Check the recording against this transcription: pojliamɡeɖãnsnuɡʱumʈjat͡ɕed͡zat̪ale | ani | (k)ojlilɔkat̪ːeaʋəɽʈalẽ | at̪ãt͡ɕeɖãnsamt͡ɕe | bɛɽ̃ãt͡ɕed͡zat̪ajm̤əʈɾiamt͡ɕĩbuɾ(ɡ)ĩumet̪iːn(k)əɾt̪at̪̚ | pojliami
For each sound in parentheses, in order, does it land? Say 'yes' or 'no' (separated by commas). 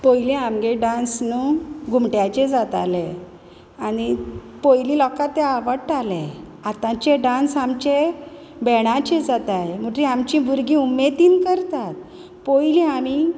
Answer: no, yes, yes